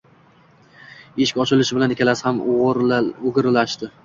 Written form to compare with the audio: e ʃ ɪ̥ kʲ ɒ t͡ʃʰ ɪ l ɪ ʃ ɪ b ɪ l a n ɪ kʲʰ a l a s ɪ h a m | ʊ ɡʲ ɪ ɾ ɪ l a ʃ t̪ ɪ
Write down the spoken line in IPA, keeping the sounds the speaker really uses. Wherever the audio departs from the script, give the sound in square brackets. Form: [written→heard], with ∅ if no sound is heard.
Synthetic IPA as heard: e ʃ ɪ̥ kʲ ɒ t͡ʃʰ ɪ l ɪ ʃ ɪ b ɪ l a n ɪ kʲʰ a l a s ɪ h a m | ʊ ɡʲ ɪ ɾ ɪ l a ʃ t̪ ɪ